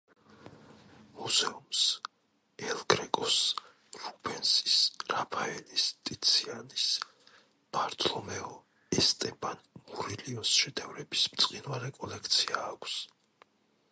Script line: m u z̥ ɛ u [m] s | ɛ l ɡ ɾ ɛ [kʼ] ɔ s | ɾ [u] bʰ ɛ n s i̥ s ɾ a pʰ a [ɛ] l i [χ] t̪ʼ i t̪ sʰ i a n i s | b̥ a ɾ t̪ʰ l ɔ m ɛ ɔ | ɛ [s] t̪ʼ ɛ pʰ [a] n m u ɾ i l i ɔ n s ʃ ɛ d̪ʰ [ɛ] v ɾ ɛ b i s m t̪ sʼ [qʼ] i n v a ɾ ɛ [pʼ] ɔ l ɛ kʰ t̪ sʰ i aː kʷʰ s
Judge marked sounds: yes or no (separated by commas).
yes, yes, yes, yes, no, yes, yes, yes, yes, no